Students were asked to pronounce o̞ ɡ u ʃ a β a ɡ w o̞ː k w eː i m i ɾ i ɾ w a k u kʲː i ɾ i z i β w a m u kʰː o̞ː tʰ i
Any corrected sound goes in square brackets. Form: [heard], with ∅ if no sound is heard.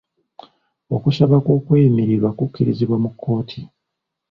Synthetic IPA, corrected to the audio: o̞ [k] u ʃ a β a [k] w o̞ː k w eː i m i ɾ i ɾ w a k u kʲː i ɾ i z i β w a m u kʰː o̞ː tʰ i